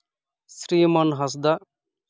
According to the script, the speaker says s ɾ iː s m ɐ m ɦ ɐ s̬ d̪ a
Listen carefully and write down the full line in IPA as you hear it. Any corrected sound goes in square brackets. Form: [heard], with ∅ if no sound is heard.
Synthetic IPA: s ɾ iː [∅] m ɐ [n] ɦ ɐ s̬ d̪ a